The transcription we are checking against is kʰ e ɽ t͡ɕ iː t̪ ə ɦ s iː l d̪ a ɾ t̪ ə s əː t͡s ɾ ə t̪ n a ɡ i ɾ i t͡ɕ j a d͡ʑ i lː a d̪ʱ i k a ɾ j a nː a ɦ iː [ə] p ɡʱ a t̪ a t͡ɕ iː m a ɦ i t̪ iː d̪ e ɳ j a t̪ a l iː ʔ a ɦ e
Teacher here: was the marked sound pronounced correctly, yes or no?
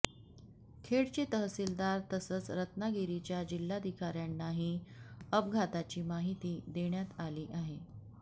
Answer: yes